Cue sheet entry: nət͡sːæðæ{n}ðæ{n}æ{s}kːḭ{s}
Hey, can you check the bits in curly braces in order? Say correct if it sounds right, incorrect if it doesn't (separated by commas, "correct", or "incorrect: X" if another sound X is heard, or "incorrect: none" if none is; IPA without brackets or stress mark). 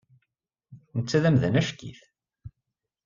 incorrect: m, correct, incorrect: ʃ, incorrect: θ